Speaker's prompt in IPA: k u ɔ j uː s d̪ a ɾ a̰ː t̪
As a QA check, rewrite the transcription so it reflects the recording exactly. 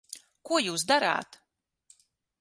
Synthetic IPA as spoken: k u ɔ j uː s d̪ a ɾ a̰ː t̪